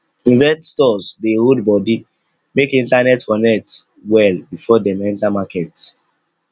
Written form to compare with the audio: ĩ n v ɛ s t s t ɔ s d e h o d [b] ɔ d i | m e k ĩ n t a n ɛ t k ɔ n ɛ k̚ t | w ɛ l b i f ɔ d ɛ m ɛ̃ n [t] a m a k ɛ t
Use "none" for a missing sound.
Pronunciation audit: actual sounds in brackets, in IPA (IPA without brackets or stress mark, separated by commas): b, t